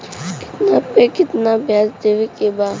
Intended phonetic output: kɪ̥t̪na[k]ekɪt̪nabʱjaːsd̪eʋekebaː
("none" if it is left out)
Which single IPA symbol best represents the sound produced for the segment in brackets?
p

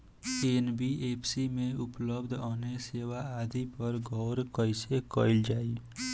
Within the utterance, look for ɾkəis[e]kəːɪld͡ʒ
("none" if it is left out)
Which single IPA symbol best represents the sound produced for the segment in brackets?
e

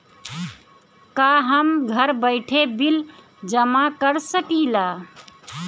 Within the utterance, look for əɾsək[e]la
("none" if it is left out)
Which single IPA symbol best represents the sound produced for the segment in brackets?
i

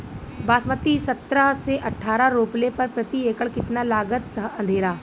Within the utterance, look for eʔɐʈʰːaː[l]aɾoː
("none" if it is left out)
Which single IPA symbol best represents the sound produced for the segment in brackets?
ɾ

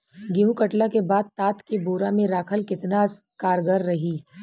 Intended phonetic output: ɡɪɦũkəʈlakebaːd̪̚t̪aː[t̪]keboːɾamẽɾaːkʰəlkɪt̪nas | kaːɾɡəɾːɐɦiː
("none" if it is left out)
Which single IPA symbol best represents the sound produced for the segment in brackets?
t̪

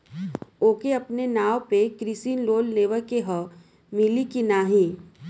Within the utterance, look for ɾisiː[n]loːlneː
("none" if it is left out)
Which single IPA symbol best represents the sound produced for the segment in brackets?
n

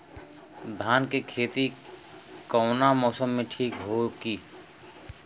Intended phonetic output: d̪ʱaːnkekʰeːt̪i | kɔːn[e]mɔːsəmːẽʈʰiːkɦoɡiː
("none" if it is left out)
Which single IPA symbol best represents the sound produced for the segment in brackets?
a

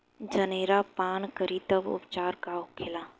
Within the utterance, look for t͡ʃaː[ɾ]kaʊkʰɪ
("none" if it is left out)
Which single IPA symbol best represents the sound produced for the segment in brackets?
ɾ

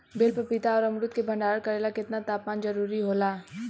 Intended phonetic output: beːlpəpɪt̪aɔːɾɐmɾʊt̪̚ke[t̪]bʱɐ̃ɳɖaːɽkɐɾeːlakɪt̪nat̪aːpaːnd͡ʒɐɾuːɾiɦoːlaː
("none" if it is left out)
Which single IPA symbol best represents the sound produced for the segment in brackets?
none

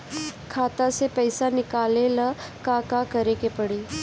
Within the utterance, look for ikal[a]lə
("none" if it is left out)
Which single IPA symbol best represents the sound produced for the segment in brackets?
e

